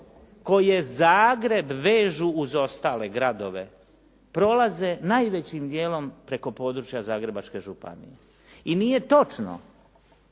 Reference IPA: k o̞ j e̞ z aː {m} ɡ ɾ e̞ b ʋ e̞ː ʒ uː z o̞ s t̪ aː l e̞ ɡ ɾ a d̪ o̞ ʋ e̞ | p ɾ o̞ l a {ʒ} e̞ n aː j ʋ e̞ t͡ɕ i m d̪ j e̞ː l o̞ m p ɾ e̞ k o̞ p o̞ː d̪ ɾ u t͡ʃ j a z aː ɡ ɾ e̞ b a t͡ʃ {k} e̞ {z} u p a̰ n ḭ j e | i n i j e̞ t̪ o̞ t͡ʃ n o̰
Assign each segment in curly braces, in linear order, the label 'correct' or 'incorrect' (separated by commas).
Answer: incorrect, incorrect, correct, incorrect